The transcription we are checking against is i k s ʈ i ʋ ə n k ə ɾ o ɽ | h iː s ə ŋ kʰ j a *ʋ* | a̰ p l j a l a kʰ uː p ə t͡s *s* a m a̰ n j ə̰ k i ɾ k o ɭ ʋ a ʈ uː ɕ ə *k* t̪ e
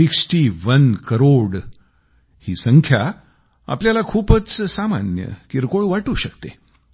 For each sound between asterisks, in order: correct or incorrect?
incorrect: none, correct, correct

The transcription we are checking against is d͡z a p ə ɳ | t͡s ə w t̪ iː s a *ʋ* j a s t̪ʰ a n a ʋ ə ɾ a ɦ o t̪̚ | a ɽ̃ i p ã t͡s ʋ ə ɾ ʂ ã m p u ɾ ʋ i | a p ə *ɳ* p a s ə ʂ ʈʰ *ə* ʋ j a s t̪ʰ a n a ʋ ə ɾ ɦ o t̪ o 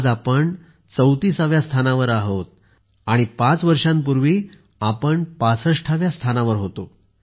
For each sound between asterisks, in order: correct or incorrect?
correct, correct, incorrect: a

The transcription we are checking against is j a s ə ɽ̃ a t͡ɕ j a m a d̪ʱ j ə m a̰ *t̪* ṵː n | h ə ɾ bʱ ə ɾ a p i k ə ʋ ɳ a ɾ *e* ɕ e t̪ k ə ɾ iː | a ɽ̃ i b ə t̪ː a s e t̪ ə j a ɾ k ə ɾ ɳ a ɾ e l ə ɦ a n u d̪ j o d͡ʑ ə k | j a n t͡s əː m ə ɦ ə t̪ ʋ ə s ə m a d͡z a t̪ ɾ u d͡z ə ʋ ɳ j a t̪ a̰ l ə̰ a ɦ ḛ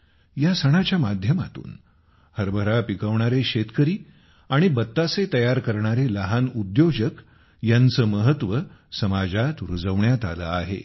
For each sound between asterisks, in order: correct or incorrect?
correct, correct

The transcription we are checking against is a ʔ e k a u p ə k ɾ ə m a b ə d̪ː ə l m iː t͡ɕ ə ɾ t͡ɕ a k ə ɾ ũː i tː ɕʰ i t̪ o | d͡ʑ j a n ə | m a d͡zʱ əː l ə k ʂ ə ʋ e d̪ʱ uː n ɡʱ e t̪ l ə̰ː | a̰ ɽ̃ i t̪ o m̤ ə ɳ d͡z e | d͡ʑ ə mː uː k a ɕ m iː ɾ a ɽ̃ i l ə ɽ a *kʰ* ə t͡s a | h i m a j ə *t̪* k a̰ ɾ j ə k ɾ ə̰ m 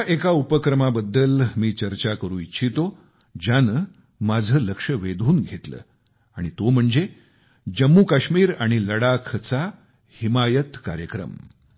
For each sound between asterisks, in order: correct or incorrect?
correct, correct

